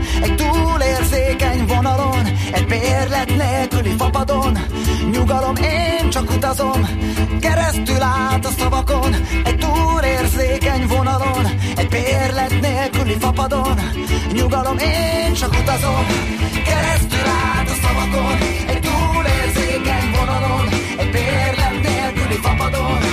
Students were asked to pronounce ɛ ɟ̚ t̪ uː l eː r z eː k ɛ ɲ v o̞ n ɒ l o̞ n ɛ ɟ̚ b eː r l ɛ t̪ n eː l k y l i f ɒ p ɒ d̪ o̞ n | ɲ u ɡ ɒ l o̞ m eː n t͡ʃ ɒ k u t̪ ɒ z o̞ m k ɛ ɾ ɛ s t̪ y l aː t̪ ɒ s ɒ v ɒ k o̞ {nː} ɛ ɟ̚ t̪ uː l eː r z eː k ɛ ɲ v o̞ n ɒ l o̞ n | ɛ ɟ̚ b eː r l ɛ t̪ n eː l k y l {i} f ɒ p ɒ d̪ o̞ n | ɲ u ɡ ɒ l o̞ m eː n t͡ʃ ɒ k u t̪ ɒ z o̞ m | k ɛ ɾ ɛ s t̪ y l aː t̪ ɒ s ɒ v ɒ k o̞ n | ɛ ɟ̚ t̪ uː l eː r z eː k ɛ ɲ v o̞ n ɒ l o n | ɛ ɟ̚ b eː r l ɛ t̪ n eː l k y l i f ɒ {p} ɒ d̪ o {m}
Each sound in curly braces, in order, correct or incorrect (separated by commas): incorrect, correct, correct, incorrect